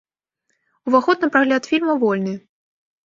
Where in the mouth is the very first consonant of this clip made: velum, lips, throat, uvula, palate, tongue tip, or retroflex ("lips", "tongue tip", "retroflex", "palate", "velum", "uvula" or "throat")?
lips